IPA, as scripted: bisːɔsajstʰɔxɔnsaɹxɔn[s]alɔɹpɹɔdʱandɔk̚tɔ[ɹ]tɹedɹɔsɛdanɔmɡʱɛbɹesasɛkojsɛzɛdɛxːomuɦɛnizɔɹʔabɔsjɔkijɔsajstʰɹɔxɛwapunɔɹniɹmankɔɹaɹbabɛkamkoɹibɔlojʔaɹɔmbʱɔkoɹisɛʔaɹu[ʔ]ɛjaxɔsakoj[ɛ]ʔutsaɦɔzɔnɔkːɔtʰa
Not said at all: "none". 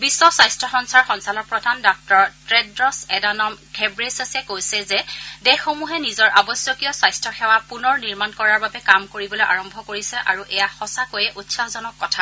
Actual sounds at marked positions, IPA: s, ɹ, ʔ, ɛ

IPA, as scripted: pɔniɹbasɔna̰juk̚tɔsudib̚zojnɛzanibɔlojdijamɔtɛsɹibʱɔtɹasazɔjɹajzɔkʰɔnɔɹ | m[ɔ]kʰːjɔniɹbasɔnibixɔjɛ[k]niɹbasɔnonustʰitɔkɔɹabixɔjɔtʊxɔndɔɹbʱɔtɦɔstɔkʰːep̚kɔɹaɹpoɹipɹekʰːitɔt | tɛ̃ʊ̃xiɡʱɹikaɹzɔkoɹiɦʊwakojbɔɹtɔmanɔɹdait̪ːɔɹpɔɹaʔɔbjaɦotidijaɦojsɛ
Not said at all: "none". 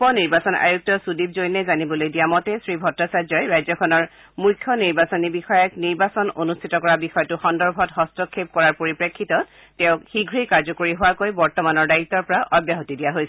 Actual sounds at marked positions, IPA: u, k

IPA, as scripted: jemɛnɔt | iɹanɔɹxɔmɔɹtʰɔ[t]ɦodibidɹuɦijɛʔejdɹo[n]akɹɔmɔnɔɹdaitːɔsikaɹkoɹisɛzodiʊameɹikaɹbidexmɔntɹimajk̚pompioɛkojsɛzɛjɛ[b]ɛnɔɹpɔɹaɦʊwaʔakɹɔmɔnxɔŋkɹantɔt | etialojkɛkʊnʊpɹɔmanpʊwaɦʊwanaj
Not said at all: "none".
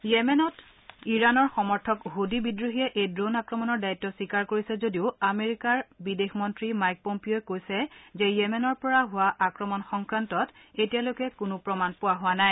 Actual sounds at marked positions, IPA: k, n, m

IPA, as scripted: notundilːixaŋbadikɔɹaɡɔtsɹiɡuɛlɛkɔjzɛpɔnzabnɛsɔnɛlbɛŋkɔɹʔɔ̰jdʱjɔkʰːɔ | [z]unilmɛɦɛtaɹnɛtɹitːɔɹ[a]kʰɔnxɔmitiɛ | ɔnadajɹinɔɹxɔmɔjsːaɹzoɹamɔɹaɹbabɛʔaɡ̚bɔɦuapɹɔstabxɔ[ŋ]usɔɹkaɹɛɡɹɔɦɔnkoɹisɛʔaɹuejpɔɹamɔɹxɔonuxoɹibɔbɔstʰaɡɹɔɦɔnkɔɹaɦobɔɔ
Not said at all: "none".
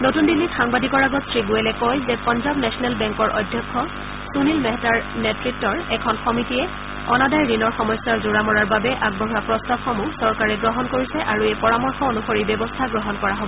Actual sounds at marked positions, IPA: s, ɛ, m

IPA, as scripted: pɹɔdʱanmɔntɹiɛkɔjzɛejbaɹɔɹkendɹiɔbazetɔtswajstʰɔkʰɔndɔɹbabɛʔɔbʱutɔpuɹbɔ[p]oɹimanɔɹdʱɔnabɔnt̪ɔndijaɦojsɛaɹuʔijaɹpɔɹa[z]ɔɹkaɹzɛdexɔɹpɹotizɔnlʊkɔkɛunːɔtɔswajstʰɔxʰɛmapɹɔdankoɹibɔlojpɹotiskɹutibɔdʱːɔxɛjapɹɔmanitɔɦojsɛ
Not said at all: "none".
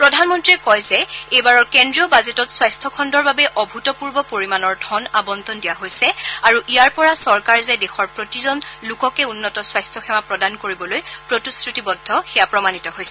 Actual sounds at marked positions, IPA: p, s

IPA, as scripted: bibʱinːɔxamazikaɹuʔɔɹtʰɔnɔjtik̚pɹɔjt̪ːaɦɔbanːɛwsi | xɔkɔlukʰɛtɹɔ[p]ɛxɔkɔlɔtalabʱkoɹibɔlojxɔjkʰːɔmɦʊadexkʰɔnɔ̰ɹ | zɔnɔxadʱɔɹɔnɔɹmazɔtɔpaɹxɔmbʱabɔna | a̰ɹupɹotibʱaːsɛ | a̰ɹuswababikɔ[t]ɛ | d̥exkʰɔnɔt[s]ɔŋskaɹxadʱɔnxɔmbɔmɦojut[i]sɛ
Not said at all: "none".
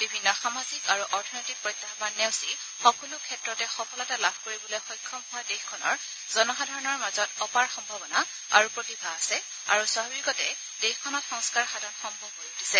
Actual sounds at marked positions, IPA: t, t, x, i

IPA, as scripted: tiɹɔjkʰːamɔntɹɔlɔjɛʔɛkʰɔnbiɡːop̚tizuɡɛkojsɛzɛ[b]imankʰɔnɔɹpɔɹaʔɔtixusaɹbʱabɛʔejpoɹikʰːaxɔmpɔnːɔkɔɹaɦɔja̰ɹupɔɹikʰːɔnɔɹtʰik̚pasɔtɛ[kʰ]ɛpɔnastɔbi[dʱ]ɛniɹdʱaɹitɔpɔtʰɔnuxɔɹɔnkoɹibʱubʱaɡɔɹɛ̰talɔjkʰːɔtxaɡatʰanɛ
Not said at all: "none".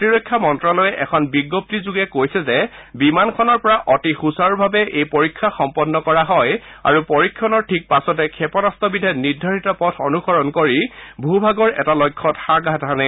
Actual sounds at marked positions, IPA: b, kʰ, dʱ

